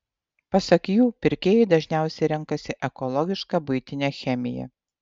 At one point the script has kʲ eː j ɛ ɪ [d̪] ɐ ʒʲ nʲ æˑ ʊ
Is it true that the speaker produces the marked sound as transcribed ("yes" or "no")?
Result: yes